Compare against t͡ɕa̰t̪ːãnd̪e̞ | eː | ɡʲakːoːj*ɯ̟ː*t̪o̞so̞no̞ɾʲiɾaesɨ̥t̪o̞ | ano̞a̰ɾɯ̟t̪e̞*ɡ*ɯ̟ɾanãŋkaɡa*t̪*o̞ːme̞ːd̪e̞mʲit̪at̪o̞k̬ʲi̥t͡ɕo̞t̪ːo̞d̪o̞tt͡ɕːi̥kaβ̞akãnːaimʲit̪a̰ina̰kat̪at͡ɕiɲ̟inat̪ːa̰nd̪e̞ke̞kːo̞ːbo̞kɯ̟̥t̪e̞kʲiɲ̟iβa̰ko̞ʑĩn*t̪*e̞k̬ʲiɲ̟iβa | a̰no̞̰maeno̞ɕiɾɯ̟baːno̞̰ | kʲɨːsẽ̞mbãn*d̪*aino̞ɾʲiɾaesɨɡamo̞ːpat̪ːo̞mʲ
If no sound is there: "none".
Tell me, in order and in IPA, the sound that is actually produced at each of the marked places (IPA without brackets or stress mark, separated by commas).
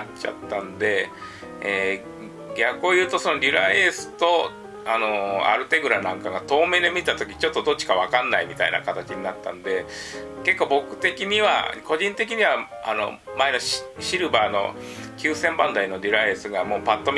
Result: ɯ̟ː, ɡ, t̪, t̪, d̪